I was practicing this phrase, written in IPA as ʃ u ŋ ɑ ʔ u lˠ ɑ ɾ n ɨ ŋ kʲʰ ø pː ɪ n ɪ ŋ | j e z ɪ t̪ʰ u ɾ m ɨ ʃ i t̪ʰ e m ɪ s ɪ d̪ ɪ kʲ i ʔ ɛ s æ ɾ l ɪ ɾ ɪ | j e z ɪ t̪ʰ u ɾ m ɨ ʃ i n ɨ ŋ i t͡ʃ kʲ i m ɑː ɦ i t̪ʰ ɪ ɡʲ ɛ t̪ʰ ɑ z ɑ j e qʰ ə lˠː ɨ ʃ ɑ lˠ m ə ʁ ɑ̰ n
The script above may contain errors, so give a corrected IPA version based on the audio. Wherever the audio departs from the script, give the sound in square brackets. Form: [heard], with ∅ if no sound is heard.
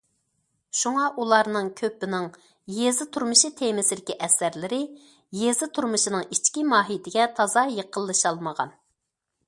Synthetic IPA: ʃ u ŋ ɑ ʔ u lˠ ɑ ɾ n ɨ ŋ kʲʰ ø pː ɪ n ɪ ŋ | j e z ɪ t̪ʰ u ɾ m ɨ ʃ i t̪ʰ e m ɪ s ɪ d̪ ɪ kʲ i ʔ ɛ s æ ɾ l ɪ ɾ ɪ | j e z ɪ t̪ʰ u ɾ m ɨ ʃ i n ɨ ŋ i t͡ʃ kʲ i m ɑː ɦ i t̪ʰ ɪ ɡʲ ɛ t̪ʰ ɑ z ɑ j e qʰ ə lˠː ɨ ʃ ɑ lˠ m ə ʁ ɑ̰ n